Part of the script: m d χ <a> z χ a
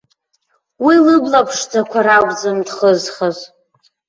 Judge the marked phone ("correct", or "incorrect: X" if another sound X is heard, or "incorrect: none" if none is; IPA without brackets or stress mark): incorrect: ə